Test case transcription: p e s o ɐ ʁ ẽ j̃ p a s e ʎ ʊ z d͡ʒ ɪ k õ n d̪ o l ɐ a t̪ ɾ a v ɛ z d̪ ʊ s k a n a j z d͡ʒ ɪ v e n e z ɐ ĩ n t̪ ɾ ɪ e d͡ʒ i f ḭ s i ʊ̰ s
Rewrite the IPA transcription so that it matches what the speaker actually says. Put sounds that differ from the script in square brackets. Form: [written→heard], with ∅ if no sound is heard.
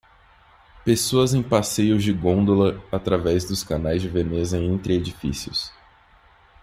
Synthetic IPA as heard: p e s o ɐ [ʁ→z] ẽ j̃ p a s e [ʎ→j] ʊ z d͡ʒ ɪ [k→ɡ] õ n d̪ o l ɐ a t̪ ɾ a v ɛ z d̪ ʊ s k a n a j z d͡ʒ ɪ v e n e z ɐ [ĩ→ẽ] n t̪ ɾ ɪ e d͡ʒ i f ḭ s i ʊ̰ s